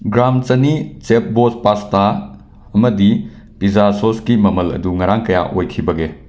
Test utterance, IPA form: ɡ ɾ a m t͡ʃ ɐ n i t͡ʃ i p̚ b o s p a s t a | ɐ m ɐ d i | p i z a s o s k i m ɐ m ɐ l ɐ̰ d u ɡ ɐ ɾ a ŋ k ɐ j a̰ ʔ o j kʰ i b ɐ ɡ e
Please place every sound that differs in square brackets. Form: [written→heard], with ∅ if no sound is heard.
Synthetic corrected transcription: ɡ ɾ a m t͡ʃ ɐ n i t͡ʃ [i→e] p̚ b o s p a s t a | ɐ m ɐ d i | p i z a s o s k i m ɐ m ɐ l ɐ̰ d u [ɡ→ŋ] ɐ ɾ a ŋ k ɐ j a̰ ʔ o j kʰ i b ɐ ɡ e